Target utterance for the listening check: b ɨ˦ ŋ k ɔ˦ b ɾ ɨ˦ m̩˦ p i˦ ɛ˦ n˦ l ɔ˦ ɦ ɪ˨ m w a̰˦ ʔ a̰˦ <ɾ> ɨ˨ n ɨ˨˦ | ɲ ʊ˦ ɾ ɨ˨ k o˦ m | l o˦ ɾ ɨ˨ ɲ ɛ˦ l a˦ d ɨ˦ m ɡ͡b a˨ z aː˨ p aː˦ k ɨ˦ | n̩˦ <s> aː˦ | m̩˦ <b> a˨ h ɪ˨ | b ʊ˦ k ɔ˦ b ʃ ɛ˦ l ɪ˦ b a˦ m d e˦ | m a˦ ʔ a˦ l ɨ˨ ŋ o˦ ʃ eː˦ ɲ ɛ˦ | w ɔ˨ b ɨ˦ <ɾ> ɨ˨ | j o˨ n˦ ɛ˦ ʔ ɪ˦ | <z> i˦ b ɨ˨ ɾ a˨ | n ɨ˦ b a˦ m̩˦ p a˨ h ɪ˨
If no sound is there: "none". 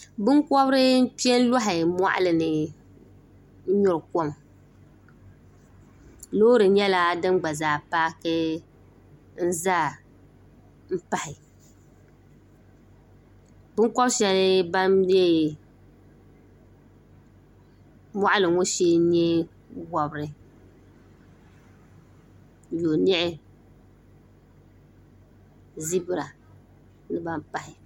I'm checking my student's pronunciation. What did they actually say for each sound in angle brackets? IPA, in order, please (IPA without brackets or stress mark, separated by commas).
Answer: l, z, p, ɾ, z